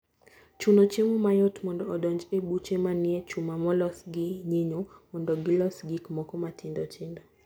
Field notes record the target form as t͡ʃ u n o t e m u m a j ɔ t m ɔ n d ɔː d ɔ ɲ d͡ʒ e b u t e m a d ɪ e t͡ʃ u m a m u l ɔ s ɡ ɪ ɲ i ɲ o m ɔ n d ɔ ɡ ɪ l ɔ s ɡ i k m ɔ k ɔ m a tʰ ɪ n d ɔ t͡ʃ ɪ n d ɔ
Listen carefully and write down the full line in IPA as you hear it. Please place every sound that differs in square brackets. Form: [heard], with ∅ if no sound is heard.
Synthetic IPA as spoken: t͡ʃ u n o [t͡ʃ] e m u m a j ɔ t m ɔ n d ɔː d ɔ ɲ d͡ʒ e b u [t͡ʃ] e m a [n] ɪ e t͡ʃ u m a m [ɔ] l ɔ s ɡ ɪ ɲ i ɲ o m ɔ n d ɔ ɡ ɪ l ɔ s ɡ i k m ɔ k ɔ m a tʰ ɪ n d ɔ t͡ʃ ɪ n d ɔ